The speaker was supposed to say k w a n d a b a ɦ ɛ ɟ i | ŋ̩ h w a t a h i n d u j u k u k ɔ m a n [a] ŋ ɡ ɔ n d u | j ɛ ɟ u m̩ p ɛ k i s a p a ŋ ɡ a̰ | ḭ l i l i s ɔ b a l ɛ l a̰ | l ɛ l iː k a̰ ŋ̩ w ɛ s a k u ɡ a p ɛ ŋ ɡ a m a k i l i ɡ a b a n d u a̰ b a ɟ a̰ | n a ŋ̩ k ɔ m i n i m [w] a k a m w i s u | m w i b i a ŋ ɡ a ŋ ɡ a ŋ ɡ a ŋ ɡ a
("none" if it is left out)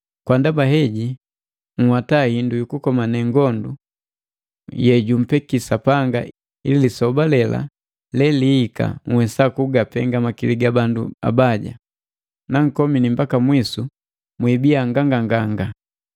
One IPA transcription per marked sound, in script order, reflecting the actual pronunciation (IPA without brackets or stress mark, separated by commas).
ɛ, b